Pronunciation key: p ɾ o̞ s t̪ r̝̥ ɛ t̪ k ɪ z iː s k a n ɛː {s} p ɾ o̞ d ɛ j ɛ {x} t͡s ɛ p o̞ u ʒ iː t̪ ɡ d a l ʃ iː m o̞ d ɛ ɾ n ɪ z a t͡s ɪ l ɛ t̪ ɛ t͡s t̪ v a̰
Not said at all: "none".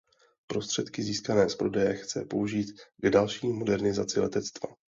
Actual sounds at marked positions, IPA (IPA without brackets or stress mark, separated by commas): s, x